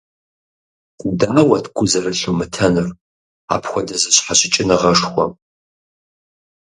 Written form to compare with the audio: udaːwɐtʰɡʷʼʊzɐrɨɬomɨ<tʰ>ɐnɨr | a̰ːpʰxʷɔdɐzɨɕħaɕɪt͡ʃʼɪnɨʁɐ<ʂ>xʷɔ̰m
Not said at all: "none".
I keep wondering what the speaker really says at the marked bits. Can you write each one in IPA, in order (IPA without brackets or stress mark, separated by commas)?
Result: tʰ, ʂ